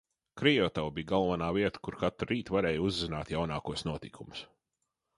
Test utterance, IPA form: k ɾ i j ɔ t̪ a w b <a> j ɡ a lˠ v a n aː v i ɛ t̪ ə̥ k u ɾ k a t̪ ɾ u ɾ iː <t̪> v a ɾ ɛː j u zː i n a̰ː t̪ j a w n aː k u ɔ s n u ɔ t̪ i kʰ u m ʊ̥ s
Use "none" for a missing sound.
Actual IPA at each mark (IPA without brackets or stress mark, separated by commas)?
i, t̪